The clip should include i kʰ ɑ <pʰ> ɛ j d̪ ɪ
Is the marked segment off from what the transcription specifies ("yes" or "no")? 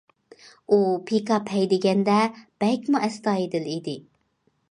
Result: no